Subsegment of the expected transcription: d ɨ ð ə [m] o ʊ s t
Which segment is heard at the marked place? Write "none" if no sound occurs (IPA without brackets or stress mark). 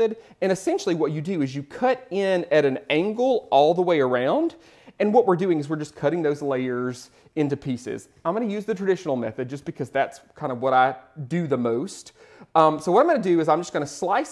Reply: m